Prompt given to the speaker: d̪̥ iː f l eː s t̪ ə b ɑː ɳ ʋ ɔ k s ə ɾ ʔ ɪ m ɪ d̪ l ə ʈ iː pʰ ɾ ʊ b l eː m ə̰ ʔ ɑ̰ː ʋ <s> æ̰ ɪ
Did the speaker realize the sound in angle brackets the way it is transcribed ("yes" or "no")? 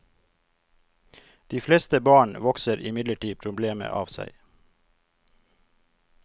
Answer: yes